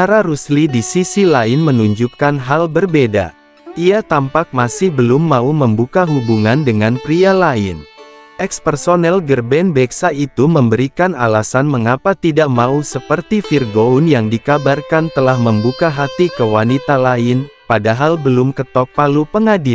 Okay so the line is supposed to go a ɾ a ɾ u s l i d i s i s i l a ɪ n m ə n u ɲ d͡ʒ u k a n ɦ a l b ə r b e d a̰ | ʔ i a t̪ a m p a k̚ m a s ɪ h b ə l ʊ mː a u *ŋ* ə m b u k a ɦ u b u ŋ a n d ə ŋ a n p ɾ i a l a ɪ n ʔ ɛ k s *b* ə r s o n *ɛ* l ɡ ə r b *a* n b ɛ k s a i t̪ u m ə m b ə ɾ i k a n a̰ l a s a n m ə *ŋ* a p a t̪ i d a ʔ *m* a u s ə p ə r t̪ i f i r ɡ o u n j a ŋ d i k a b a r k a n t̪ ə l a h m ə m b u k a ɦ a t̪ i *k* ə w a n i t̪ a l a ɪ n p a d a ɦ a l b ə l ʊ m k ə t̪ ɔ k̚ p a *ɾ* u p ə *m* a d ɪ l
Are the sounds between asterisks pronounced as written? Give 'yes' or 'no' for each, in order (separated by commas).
no, no, yes, no, yes, yes, yes, no, no